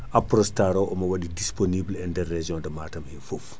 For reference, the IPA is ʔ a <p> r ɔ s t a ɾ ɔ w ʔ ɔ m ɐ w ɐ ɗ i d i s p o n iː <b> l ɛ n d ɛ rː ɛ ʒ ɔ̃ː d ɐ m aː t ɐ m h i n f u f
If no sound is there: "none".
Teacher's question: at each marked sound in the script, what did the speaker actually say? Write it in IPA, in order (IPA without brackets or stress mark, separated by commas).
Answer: p, b